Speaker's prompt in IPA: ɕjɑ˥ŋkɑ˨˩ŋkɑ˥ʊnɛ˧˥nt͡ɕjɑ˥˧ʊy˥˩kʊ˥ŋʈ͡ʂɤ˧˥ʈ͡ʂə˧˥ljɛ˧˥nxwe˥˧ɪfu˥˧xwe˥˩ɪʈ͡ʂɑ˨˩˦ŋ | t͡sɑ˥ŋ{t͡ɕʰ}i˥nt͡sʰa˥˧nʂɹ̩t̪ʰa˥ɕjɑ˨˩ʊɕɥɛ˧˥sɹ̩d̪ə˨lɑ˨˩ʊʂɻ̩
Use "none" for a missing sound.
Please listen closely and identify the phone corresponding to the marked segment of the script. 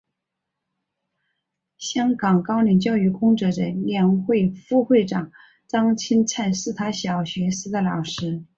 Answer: t͡ɕʰ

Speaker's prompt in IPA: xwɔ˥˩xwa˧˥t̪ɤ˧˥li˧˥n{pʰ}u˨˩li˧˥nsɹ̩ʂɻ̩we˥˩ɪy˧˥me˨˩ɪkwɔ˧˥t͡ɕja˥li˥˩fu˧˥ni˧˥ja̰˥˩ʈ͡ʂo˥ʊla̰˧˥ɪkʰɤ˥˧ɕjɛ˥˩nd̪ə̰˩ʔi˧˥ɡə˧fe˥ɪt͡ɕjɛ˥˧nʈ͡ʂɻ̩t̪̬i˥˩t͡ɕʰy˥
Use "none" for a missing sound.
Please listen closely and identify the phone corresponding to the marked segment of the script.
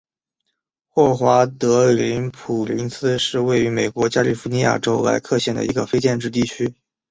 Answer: pʰ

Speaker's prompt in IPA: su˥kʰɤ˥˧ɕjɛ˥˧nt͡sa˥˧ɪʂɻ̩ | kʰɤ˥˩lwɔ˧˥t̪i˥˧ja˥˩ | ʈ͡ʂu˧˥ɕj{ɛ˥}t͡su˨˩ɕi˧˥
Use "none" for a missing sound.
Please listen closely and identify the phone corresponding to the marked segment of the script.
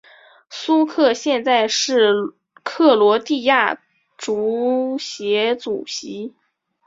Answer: ɛ˧˥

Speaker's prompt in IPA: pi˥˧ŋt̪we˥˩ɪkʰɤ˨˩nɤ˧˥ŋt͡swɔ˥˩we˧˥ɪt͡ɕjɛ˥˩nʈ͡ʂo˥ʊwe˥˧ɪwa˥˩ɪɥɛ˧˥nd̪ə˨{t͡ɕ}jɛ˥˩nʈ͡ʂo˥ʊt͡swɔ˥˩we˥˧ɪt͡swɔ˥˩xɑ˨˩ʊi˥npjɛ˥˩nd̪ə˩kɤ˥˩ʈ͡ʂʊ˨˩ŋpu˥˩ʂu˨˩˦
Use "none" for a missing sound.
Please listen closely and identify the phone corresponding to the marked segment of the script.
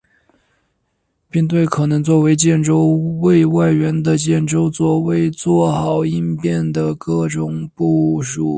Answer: t͡ɕ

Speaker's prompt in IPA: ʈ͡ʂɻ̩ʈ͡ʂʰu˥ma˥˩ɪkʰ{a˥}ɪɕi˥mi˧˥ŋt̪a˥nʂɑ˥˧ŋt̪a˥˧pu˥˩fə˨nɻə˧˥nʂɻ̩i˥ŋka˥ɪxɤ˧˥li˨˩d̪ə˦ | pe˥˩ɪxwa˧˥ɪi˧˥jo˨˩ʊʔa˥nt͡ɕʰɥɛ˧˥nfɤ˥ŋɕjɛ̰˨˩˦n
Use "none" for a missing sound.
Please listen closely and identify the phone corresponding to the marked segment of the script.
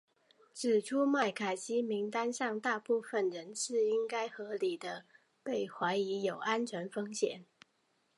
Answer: a˨˩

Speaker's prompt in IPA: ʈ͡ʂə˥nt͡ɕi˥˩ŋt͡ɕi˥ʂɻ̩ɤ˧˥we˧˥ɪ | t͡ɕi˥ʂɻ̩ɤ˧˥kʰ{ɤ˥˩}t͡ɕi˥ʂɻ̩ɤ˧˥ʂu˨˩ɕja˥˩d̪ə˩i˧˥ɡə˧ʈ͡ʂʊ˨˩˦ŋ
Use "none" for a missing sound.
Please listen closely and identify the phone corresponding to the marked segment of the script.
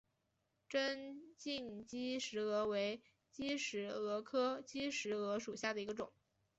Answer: ɤ˥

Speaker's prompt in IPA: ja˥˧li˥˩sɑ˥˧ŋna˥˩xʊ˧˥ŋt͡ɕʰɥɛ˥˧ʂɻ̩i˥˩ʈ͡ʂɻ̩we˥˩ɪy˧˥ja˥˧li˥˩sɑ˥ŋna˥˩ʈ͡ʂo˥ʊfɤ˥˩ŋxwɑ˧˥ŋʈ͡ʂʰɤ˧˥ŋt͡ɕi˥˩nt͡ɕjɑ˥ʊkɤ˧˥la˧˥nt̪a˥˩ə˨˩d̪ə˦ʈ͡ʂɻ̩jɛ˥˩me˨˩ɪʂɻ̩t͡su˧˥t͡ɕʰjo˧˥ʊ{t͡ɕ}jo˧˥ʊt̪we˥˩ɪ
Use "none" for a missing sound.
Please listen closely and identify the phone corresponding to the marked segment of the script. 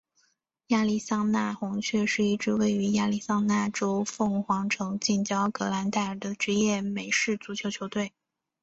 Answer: t͡ɕʰ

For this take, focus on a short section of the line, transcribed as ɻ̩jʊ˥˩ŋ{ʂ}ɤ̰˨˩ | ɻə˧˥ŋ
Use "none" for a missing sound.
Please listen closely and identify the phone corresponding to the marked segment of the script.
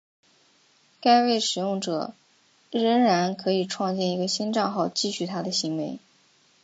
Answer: ʈ͡ʂ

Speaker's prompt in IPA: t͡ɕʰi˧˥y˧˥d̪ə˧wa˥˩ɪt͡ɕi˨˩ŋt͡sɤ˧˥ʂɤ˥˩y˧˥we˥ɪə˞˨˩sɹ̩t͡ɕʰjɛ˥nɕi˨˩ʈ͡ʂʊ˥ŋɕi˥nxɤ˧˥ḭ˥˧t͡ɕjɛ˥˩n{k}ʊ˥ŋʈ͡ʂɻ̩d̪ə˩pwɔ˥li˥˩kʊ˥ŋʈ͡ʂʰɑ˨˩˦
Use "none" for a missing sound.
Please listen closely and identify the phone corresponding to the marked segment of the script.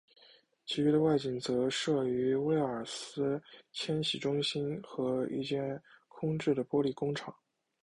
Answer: kʰ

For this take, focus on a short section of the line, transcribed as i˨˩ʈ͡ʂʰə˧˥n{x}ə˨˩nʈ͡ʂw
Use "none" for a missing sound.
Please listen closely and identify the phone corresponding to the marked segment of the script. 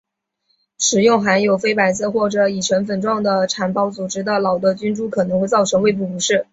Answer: f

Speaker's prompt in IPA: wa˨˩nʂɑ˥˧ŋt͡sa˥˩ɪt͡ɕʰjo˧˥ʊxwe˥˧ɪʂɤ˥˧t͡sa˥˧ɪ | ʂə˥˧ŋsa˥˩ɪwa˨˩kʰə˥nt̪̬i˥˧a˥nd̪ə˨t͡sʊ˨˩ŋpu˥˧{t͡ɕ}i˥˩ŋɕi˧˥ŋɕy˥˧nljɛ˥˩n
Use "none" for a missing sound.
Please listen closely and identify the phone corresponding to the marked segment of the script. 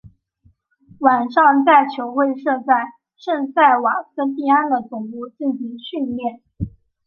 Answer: t͡ɕ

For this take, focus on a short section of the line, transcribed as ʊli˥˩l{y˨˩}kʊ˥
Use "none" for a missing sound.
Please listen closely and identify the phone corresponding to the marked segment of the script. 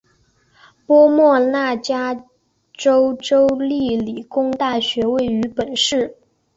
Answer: i˨˩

